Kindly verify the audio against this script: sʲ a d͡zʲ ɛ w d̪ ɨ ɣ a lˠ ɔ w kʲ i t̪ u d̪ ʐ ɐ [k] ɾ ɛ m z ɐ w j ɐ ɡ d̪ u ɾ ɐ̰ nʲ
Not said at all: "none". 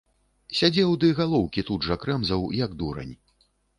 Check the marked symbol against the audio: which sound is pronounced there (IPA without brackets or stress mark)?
k